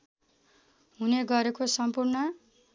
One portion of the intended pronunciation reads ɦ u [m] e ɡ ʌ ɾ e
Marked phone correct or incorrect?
incorrect